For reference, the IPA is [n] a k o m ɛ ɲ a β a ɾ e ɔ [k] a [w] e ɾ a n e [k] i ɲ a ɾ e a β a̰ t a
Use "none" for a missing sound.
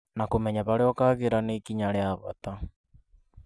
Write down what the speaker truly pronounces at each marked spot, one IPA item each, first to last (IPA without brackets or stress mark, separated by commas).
n, k, ɣ, k